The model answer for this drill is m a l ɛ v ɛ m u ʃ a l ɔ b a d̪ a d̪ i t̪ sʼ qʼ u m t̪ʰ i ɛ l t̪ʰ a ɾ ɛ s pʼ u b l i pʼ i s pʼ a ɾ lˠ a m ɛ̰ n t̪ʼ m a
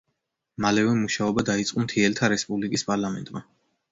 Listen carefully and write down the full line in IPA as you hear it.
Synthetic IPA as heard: m a l ɛ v ɛ m u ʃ a ɔ b a d̪ a i t̪ sʼ qʼ u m t̪ʰ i ɛ l t̪ʰ a ɾ ɛ s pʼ u b l i kʼ i s pʼ a ɾ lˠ a m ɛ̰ n t̪ʼ m a